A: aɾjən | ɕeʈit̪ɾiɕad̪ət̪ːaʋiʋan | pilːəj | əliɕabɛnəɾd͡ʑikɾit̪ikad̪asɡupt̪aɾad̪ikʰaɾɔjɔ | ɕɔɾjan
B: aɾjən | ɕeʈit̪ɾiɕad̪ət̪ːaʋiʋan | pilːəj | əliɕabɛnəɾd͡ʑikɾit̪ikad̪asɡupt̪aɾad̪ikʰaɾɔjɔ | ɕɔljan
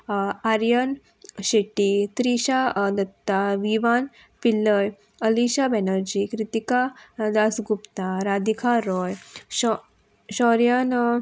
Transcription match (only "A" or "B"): A